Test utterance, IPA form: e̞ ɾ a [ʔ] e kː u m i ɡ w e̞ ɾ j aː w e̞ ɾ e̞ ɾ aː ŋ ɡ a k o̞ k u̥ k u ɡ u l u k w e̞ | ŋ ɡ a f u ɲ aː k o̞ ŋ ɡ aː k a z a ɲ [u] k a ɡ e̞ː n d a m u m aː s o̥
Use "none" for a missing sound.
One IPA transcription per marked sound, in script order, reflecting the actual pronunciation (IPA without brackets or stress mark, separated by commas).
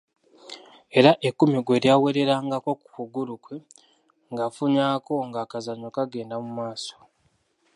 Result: ʔ, o